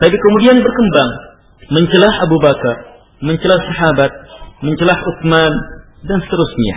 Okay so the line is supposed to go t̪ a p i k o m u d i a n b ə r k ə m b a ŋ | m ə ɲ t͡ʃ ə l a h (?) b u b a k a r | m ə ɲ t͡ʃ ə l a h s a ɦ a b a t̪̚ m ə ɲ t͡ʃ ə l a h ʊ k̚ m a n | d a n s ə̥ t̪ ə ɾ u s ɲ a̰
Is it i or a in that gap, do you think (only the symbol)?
a